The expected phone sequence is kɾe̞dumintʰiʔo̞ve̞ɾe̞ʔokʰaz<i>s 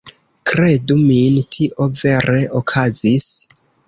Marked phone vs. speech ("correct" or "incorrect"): correct